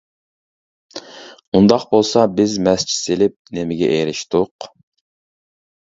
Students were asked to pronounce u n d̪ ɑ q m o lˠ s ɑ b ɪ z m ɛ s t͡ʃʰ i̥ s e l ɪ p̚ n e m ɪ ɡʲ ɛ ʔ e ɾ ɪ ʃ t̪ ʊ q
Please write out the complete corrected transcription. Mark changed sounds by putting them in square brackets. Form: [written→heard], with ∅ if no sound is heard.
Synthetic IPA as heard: u n d̪ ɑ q [m→b] o lˠ s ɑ b ɪ z m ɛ s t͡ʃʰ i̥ s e l ɪ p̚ n e m ɪ ɡʲ ɛ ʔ e ɾ ɪ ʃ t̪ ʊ q